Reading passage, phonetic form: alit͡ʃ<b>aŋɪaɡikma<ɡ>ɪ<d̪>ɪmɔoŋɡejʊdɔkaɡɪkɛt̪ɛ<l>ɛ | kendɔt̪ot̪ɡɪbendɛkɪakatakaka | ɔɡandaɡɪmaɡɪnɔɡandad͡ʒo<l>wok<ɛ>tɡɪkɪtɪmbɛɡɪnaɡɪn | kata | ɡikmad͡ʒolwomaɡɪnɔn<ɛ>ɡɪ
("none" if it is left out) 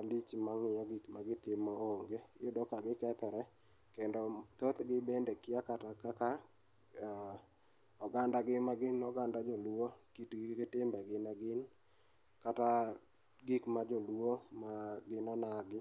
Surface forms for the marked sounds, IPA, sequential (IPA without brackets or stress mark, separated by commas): m, ɡ, t̪, ɾ, l, i, a